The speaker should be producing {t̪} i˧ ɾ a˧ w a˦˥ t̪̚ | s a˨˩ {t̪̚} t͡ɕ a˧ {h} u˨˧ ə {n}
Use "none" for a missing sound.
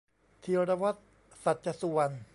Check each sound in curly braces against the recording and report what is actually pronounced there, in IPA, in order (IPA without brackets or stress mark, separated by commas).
t̪ʰ, t̪̚, s, n